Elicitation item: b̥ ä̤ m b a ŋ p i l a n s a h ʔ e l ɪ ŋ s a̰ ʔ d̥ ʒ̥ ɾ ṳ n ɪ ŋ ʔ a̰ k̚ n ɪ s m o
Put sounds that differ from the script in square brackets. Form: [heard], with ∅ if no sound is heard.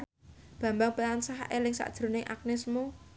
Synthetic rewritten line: b̥ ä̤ m b a ŋ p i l a n s a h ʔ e l ɪ ŋ s a̰ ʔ d̥ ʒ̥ ɾ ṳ n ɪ ŋ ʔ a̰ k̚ n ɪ s m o